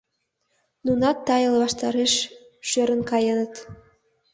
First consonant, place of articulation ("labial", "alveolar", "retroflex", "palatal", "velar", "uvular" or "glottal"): alveolar